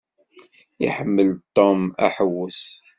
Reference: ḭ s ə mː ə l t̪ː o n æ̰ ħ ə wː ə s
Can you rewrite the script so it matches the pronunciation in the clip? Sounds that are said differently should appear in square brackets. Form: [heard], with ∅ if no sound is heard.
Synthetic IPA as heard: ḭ [ħ] ə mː ə l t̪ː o [m] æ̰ ħ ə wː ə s